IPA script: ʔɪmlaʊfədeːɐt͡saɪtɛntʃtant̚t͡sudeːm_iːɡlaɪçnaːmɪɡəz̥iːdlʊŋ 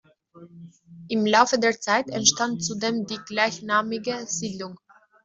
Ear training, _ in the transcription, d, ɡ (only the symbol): d